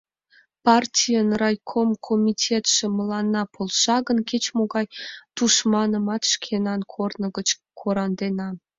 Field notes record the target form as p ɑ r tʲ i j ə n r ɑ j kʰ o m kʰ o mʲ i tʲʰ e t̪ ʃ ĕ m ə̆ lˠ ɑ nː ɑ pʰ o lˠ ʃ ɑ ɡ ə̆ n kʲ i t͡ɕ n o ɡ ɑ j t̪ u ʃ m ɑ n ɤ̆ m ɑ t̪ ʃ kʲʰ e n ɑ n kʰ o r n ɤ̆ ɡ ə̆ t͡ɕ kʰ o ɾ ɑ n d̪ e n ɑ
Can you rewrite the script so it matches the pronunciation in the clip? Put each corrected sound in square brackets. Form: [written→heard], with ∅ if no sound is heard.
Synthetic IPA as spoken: p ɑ r tʲ i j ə n r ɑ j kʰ o m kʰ o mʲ i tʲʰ e t̪ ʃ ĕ m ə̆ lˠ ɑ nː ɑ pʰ o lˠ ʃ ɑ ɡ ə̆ n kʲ [i→e] t͡ɕ [n→m] o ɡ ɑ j t̪ u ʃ m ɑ n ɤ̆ m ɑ t̪ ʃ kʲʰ e n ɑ n kʰ o r n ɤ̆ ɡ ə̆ t͡ɕ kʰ o ɾ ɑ n d̪ e n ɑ